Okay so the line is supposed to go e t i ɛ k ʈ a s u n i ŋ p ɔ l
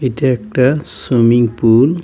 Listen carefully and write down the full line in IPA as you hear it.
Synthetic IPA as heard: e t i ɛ k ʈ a s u m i ŋ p u l